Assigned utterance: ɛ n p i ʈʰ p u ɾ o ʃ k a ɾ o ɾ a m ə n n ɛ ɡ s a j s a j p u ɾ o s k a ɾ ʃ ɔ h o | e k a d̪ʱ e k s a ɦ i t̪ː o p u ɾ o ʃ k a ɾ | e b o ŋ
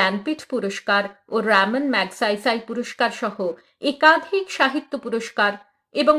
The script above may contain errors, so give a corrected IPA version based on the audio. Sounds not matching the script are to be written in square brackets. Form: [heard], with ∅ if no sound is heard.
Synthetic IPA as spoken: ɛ n p i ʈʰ p u ɾ o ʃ k a ɾ o ɾ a m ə n [m] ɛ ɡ s a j s a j p u ɾ o [ʃ] k a ɾ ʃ ɔ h o | e k a d̪ʱ [i] k [ʃ] a ɦ i t̪ː o p u ɾ o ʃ k a ɾ | e b o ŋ